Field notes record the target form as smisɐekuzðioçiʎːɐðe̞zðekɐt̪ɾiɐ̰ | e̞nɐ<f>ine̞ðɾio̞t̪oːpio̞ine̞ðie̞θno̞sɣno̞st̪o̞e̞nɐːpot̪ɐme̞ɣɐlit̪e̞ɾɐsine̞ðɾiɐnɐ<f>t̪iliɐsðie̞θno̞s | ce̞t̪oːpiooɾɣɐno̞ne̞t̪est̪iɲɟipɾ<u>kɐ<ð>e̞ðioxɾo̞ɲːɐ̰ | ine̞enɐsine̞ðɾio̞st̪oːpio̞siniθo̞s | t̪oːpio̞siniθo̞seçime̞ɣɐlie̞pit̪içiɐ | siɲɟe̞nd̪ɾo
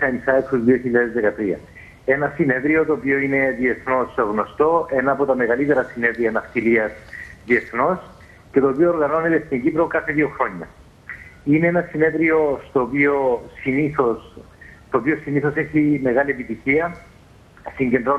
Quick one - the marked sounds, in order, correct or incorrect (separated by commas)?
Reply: incorrect, correct, incorrect, incorrect